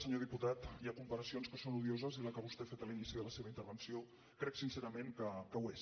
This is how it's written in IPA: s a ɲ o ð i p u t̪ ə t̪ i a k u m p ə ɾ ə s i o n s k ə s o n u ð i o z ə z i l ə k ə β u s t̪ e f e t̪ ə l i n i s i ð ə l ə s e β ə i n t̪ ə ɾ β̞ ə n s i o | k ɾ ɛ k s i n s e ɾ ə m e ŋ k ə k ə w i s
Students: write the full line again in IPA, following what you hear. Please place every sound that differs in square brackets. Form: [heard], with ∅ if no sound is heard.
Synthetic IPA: s [ə] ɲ o ð i p u t̪ [a] t̪ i a k u m p ə ɾ ə s i o n s k ə s o n u ð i o z ə z i l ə k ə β u s t̪ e f e t̪ ə l i n i s i ð ə l ə s e β ə i n t̪ ə ɾ β̞ ə n s i o | k ɾ ɛ k s i n s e ɾ ə m e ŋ k ə k ə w [e] s